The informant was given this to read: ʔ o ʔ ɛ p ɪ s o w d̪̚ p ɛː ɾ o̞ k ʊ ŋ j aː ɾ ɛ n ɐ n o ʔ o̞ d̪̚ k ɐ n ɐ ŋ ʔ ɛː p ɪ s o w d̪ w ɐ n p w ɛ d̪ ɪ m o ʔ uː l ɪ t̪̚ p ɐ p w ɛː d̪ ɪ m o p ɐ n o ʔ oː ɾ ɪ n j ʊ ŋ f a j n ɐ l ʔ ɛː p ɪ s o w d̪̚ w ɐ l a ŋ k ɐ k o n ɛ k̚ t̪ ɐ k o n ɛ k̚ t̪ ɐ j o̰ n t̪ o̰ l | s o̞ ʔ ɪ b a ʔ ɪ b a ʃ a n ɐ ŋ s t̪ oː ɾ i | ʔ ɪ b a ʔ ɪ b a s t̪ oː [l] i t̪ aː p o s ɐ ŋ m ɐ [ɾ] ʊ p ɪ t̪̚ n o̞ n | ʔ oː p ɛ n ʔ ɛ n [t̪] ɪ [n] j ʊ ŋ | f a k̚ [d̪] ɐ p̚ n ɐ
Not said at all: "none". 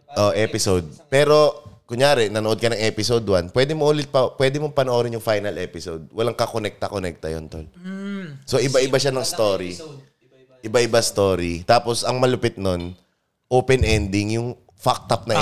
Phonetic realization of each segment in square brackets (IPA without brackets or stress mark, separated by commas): ɾ, l, d̪, ŋ, t̪